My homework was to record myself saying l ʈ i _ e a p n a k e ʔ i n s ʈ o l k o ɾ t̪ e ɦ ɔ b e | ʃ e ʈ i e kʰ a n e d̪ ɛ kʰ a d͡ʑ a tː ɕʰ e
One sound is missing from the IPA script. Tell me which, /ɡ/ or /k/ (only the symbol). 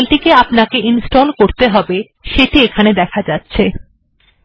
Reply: k